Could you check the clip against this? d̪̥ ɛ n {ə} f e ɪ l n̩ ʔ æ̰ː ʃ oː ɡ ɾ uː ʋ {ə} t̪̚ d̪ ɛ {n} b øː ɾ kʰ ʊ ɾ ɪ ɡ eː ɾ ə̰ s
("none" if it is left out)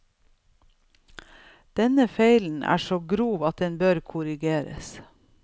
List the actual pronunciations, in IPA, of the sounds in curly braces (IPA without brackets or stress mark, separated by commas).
ə, ɑ, n